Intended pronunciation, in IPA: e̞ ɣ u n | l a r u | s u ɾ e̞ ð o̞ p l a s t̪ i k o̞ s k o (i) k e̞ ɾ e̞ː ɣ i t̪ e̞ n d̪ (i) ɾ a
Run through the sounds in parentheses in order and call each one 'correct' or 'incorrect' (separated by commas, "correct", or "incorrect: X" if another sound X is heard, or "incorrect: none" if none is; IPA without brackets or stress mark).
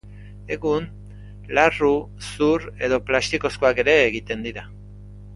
incorrect: a, correct